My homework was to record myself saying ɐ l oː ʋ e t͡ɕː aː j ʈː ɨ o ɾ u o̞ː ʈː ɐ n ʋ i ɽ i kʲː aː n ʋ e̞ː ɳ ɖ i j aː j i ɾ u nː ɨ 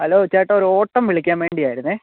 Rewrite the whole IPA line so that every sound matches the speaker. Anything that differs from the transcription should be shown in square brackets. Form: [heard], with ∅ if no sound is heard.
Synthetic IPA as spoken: ɐ l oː ʋ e t͡ɕː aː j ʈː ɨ o ɾ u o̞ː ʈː ɐ [m] ʋ i [ɭ] i kʲː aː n ʋ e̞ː ɳ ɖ i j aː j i ɾ u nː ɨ